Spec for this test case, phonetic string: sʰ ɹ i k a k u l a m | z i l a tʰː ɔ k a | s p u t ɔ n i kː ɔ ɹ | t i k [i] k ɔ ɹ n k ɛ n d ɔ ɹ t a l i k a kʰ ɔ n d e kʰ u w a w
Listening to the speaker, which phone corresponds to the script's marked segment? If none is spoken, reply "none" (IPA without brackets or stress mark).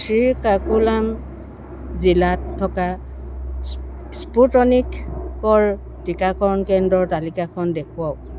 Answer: a